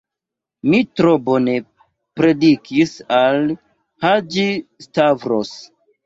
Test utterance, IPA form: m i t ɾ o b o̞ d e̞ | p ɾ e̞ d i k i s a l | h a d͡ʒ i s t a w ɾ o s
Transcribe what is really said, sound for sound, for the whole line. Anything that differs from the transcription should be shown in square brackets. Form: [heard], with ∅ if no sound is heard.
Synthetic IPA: m i t ɾ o b o̞ [n] e̞ | p ɾ e̞ d i k i s a l | h a d͡ʒ i s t a [v] ɾ o s